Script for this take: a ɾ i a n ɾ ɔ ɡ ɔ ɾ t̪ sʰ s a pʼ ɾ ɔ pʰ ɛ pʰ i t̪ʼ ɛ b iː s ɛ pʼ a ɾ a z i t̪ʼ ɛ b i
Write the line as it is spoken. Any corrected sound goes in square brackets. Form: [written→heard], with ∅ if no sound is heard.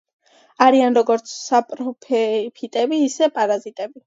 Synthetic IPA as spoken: a ɾ i a n ɾ ɔ ɡ ɔ ɾ t̪ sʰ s a pʼ ɾ ɔ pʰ ɛ pʰ i t̪ʼ ɛ b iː s ɛ pʼ a ɾ a z i t̪ʼ ɛ b i